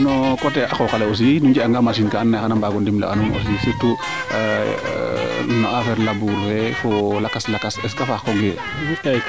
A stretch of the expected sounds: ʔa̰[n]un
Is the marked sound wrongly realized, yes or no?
no